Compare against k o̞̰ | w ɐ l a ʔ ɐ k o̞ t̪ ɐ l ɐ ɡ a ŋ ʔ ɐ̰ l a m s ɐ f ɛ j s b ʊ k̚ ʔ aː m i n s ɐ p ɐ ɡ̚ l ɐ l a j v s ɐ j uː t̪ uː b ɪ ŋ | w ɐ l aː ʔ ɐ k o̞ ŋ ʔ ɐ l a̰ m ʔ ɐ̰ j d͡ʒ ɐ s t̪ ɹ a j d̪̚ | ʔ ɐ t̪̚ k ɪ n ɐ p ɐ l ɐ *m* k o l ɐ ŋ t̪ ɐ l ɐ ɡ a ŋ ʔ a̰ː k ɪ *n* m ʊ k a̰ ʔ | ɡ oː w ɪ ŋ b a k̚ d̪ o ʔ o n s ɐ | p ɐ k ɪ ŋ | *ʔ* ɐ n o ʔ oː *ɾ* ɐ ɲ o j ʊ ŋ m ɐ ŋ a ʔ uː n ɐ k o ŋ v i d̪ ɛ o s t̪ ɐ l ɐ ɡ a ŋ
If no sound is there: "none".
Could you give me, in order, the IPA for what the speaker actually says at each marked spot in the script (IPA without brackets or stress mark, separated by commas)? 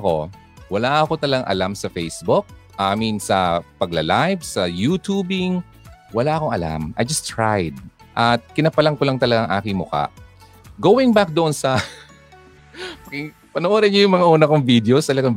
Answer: ŋ, ŋ, p, ɾ